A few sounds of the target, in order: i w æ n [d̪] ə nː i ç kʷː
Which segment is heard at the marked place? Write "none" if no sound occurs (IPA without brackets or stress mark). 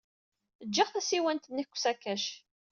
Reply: t̪